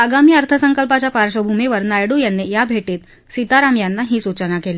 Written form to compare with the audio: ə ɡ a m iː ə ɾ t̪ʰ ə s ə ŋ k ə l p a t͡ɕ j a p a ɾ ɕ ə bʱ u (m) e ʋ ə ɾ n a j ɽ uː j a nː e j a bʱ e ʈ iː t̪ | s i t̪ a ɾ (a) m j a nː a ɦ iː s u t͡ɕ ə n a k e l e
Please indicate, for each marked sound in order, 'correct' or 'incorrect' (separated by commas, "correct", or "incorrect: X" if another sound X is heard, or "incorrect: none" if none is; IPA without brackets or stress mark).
correct, correct